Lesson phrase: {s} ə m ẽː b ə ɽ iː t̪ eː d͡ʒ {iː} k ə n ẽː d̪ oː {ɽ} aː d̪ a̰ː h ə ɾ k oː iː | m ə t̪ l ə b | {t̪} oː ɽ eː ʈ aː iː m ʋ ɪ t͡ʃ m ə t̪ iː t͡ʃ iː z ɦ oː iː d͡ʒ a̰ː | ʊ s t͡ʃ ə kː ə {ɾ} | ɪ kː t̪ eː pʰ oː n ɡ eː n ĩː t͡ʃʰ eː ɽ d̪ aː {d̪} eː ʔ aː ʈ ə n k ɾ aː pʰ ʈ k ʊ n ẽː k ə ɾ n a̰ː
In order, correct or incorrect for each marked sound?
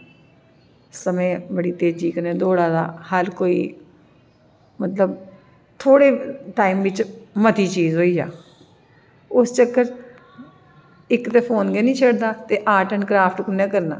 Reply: correct, correct, correct, incorrect: t̪ʰ, correct, incorrect: t̪

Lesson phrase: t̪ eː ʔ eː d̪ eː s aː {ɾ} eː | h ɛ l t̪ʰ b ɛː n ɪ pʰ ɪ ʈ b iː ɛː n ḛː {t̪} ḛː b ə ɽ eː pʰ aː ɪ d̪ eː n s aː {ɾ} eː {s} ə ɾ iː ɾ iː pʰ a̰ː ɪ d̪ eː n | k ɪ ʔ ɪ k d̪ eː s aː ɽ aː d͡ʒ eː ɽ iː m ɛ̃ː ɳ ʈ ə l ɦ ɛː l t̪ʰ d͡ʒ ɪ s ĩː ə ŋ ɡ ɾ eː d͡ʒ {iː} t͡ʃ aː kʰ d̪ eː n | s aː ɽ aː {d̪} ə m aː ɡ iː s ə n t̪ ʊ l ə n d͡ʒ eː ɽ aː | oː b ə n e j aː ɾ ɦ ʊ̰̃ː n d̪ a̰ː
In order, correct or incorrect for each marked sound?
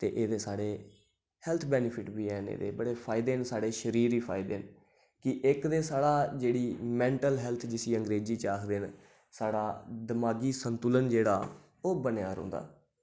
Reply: incorrect: ɽ, incorrect: d̪, incorrect: ɽ, incorrect: ʃ, correct, correct

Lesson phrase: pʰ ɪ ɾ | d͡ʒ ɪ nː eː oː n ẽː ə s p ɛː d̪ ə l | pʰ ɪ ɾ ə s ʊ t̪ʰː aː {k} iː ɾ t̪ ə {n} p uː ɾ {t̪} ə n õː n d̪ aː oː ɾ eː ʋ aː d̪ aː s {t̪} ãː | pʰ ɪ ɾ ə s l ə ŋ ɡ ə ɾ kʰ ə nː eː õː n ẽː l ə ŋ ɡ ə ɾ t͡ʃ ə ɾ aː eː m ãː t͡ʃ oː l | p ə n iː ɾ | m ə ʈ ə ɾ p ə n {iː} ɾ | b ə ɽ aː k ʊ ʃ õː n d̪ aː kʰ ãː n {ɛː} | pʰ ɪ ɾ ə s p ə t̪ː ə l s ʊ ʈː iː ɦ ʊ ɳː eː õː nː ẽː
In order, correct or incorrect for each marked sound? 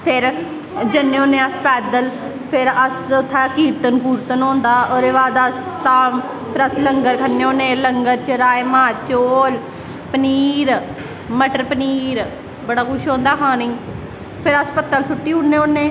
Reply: correct, correct, correct, correct, correct, incorrect: iː

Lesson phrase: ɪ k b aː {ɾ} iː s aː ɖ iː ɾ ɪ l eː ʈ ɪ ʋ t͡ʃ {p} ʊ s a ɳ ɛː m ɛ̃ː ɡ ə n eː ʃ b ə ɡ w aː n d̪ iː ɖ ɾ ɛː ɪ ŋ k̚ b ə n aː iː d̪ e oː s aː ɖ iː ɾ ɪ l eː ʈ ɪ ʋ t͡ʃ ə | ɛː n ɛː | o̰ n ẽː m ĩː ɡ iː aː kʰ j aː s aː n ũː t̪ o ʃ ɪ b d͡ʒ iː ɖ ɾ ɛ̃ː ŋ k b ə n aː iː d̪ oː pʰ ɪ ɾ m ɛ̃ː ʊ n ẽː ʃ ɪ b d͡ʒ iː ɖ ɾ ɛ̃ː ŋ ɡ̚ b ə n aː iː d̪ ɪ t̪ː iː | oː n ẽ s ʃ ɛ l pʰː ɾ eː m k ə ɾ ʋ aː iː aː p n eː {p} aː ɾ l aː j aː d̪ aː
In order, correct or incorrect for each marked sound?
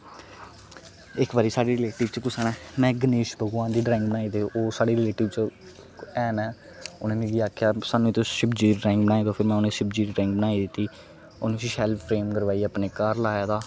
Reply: correct, incorrect: k, incorrect: k

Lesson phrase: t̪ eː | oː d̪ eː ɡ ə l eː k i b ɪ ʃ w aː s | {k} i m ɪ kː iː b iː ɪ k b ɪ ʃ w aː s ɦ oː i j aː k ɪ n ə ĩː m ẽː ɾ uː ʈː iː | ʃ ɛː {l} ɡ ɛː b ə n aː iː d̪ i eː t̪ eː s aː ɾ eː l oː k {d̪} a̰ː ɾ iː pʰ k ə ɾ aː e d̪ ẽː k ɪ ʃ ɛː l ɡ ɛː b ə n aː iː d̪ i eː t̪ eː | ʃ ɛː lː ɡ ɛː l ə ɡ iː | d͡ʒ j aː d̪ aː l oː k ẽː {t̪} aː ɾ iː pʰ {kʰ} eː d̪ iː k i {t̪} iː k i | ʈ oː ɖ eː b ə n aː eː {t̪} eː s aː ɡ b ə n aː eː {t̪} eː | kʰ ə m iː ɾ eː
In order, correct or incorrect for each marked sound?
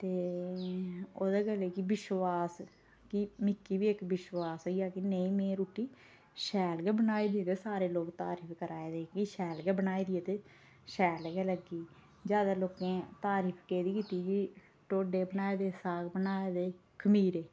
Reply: correct, correct, incorrect: t̪, correct, incorrect: k, correct, incorrect: d̪, incorrect: d̪

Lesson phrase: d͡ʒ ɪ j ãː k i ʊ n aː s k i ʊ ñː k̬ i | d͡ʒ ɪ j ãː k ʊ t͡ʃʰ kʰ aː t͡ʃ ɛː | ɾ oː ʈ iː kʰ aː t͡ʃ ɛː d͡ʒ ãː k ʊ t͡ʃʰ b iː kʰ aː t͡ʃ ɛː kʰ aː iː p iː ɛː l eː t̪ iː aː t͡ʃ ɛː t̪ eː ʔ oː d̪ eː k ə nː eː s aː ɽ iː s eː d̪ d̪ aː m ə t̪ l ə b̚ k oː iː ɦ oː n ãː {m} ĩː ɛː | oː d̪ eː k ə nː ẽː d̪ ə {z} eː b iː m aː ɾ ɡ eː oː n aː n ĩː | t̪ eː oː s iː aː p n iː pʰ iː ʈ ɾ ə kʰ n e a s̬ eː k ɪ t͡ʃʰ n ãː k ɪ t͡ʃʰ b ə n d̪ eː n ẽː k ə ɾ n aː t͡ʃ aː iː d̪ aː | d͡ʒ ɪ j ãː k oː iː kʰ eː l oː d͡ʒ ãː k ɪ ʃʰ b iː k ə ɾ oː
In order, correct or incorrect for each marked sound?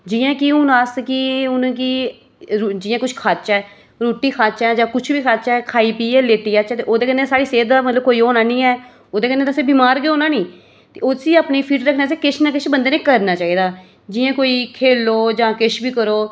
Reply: incorrect: n, incorrect: s

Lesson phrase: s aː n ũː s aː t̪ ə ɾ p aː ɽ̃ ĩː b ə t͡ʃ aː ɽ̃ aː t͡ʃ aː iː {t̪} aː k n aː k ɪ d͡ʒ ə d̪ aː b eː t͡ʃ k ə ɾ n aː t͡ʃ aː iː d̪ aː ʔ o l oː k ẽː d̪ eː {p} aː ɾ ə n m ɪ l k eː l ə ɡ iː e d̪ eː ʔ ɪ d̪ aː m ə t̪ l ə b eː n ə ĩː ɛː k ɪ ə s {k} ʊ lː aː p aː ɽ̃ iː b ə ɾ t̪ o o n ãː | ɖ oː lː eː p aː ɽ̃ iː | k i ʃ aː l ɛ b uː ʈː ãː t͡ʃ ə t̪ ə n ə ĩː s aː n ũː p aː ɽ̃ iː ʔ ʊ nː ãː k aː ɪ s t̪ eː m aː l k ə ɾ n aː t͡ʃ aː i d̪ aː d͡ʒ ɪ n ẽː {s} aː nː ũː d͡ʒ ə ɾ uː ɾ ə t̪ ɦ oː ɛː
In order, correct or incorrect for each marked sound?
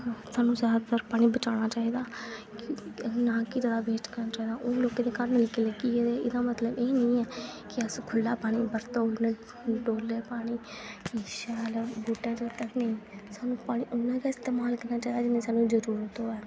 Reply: incorrect: d̪, incorrect: k, incorrect: kʰ, correct

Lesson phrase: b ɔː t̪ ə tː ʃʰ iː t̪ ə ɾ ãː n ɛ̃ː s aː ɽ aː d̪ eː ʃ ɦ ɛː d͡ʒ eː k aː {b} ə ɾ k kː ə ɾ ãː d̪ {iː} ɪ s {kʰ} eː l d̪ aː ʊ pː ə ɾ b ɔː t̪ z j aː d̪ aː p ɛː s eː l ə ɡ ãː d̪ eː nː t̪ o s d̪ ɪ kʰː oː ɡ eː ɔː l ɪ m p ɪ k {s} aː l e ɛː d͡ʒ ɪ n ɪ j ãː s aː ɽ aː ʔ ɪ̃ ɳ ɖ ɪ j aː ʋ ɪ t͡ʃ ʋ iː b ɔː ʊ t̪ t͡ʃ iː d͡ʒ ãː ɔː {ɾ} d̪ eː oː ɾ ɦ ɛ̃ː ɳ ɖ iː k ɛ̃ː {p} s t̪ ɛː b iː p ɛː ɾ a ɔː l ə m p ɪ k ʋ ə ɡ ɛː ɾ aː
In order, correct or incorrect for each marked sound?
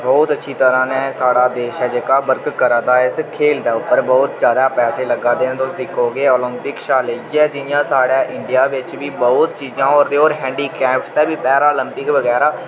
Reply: correct, incorrect: aː, correct, incorrect: ʃ, correct, correct

